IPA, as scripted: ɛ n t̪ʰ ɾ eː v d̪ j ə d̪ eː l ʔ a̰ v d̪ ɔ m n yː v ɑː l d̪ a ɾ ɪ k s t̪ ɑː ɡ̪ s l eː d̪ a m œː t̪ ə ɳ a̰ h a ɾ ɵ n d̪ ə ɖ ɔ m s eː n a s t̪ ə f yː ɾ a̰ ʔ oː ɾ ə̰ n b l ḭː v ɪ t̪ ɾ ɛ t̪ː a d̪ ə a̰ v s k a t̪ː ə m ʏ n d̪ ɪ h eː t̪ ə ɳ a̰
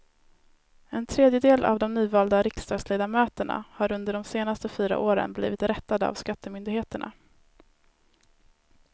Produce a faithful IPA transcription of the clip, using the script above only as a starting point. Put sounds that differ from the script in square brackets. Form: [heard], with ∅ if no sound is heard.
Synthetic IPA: ɛ n t̪ʰ ɾ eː [∅] d̪ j ə d̪ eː l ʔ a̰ v d̪ ɔ m n yː v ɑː l d̪ a ɾ ɪ k s t̪ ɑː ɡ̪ s l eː d̪ a m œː t̪ ə ɳ a̰ h a ɾ ɵ n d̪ ə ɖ ɔ m s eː n a s t̪ ə f yː ɾ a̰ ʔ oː ɾ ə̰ n b l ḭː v ɪ t̪ ɾ ɛ t̪ː a d̪ ə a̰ v s k a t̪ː ə m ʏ n d̪ ɪ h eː t̪ ə ɳ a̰